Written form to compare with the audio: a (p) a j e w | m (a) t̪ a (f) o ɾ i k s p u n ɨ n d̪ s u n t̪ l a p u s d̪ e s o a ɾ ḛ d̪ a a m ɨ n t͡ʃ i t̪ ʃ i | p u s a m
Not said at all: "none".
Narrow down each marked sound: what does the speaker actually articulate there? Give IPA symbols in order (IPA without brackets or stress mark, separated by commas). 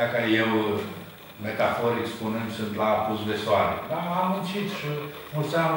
k, e, f